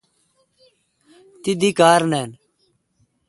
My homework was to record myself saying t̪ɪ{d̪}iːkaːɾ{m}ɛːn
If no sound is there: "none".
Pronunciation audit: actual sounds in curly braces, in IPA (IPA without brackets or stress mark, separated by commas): d̪, n